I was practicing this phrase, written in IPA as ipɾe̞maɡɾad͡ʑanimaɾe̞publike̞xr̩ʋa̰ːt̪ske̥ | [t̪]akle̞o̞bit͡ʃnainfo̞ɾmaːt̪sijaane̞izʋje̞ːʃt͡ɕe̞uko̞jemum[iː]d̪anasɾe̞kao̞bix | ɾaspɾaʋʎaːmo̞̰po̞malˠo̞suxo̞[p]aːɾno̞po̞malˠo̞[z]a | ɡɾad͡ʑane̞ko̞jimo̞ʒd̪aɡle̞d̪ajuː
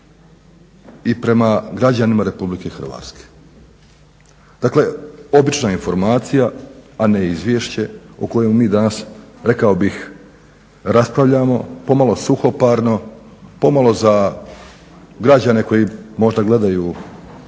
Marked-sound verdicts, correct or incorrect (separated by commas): incorrect, correct, correct, correct